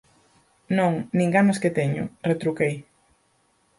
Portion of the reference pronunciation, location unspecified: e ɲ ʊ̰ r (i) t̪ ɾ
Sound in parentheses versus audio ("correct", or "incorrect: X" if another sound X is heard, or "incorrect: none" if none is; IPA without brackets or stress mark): incorrect: e